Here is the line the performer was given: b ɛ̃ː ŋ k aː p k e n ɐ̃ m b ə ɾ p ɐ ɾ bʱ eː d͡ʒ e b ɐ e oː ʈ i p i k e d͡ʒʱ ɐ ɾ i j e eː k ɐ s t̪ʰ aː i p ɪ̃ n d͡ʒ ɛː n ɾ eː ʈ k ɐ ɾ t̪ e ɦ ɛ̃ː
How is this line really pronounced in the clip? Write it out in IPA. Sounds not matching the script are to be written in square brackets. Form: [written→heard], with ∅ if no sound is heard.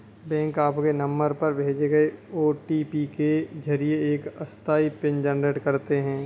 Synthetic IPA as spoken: b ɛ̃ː ŋ k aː p k e n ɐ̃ m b ə ɾ p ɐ ɾ bʱ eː d͡ʒ e [b→ɡ] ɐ e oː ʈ i p i k e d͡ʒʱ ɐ ɾ i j e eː k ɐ s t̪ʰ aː i p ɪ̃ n d͡ʒ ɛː n ɾ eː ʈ k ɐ ɾ t̪ e ɦ ɛ̃ː

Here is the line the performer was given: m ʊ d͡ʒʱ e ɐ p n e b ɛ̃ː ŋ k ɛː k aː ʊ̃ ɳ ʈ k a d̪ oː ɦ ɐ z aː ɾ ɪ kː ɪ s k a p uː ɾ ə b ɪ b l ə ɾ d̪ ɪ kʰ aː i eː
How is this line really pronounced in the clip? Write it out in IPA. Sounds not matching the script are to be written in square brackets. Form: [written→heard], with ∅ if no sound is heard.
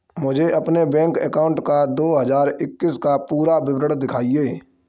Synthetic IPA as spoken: m ʊ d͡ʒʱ e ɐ p n e b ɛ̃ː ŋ k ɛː k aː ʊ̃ ɳ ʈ k a d̪ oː ɦ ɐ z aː ɾ ɪ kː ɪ s k a p uː ɾ [ə→a] b ɪ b [l→ɾ] ə [ɾ→ɽ] d̪ ɪ kʰ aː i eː

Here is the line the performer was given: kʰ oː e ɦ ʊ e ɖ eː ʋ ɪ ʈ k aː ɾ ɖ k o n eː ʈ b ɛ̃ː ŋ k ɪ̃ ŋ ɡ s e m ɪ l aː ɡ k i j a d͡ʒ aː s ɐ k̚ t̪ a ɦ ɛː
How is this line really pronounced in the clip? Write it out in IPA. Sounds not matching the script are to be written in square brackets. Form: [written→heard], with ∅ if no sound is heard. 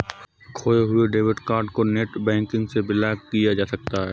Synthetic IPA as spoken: kʰ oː e ɦ ʊ e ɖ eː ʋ ɪ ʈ k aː ɾ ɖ k o n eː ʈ b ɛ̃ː ŋ k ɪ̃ ŋ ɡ s e [m→b] ɪ l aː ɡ k i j a d͡ʒ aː s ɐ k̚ t̪ a ɦ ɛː

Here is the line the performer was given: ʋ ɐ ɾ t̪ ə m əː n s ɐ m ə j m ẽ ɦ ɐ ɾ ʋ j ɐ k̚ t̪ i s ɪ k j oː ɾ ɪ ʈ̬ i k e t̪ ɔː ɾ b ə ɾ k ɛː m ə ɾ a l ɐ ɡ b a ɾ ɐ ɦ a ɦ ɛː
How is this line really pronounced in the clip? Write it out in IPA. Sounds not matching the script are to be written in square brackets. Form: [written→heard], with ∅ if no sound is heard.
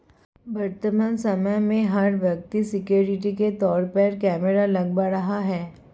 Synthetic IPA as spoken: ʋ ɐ ɾ t̪ ə m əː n s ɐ m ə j m ẽ ɦ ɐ ɾ ʋ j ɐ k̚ t̪ i s ɪ k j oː ɾ ɪ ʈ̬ i k e t̪ ɔː ɾ [b→p] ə ɾ k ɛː m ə ɾ a l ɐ ɡ b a ɾ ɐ ɦ a ɦ ɛː

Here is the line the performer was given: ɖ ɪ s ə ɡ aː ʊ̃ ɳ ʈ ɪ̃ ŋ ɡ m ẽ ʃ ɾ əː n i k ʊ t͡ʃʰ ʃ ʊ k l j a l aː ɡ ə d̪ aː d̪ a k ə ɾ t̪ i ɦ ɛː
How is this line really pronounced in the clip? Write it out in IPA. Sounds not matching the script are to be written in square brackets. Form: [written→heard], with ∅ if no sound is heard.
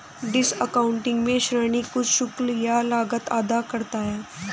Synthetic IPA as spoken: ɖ ɪ s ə [ɡ→k] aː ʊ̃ ɳ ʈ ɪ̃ ŋ ɡ m ẽ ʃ ɾ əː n i k ʊ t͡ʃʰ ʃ ʊ k l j a l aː ɡ ə [d̪→t̪] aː d̪ a k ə ɾ t̪ [i→a] ɦ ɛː

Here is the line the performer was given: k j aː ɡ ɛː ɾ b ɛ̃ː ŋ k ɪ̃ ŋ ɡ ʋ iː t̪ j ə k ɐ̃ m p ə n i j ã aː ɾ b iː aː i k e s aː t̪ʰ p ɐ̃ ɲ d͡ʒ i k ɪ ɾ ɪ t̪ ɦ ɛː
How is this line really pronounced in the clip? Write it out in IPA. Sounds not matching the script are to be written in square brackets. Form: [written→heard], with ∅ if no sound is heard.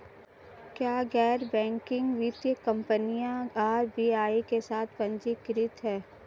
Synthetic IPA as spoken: k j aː ɡ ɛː ɾ b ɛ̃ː ŋ k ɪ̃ ŋ ɡ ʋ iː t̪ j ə k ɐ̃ m p ə n i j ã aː ɾ b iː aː i k e s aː t̪ʰ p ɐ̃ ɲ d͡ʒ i k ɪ ɾ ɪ t̪ ɦ ɛː

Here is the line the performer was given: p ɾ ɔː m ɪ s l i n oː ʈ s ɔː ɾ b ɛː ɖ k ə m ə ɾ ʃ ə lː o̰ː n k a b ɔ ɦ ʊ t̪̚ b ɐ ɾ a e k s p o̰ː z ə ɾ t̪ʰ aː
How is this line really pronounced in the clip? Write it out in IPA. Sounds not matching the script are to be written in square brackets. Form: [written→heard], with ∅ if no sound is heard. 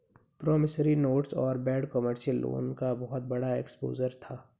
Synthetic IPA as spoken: p ɾ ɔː m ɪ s [l→ɾ] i n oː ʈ s ɔː ɾ b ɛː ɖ k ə m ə ɾ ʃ ə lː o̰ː n k a b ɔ ɦ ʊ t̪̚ b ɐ [ɾ→ɽ] a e k s p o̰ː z ə ɾ t̪ʰ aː

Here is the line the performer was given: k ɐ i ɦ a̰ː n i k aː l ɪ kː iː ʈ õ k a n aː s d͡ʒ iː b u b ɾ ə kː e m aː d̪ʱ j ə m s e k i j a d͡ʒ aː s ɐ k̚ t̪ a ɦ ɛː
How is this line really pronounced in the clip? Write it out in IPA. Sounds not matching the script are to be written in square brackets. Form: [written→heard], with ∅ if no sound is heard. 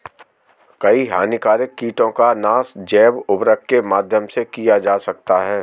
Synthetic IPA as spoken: k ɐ i ɦ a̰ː n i k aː [l→ɾ] ɪ kː iː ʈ õ k a n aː s d͡ʒ [iː→ɛː] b [u→ʊ] b ɾ ə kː e m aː d̪ʱ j ə m s e k i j a d͡ʒ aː s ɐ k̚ t̪ a ɦ ɛː

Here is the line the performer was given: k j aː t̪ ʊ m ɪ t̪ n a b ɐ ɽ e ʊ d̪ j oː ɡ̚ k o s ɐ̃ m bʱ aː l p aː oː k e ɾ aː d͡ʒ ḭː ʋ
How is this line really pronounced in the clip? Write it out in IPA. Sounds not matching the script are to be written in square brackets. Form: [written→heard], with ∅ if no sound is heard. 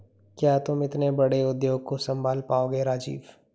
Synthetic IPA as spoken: k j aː t̪ ʊ m ɪ t̪ n [a→e] b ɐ ɽ e ʊ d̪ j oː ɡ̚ k o s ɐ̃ m bʱ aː l p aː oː [k→ɡ] e ɾ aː d͡ʒ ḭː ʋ

